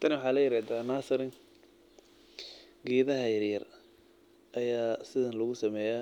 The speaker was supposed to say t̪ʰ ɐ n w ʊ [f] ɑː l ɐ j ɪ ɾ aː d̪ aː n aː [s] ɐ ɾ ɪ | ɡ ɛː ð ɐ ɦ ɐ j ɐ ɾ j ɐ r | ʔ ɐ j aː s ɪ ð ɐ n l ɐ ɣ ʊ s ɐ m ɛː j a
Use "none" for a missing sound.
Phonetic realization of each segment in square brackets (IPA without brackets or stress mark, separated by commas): ħ, s